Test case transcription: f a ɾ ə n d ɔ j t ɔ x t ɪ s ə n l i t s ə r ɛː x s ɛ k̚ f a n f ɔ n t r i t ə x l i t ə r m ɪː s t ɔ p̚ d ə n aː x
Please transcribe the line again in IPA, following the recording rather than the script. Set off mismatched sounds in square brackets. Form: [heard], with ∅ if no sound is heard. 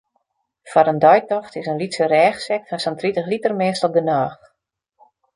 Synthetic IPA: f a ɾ ə n d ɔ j t ɔ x t ɪ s ə n l i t s ə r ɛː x s ɛ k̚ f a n [s] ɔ n t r i t ə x l i t ə r m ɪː s t ɔ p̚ d ə n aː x